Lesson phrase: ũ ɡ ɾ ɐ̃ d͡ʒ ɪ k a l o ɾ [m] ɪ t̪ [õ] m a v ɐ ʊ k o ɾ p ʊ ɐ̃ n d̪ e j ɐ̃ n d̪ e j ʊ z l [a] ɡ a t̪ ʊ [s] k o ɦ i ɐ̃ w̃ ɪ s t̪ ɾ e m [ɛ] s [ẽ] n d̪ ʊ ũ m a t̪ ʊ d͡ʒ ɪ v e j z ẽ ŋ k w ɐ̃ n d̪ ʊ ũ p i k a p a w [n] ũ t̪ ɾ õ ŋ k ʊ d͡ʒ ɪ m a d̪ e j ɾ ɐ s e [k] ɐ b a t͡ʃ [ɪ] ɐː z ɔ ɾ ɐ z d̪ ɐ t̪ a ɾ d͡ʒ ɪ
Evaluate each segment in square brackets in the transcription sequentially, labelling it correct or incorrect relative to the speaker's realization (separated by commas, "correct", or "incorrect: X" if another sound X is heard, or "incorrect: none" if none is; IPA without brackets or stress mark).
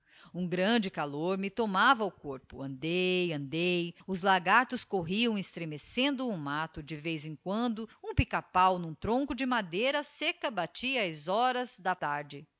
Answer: correct, incorrect: o, correct, correct, incorrect: e, correct, correct, correct, incorrect: i